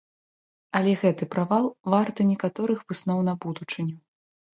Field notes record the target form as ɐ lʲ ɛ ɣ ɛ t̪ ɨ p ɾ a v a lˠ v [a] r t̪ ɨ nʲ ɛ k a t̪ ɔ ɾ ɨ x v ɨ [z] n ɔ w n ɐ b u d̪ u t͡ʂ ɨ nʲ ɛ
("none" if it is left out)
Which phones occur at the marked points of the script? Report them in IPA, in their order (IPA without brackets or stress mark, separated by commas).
a, s